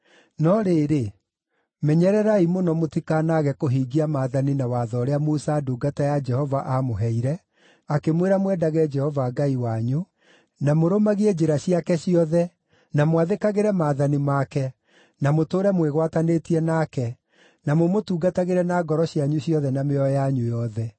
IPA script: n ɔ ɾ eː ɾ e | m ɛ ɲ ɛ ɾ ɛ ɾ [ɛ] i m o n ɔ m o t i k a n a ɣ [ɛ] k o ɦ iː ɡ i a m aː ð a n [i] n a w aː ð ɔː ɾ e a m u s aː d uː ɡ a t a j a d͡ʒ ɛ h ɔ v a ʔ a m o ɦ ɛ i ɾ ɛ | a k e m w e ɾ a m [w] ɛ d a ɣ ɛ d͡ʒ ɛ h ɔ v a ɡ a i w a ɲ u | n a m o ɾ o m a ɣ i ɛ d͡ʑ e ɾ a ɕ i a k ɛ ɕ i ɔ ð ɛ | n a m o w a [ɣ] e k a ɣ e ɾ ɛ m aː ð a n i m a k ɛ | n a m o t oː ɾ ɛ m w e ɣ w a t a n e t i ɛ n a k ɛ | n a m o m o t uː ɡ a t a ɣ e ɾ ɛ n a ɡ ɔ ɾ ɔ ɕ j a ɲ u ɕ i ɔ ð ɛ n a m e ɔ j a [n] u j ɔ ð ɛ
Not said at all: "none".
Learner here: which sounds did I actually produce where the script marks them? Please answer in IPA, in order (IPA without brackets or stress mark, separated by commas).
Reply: a, ɛ, i, w, ð, ɲ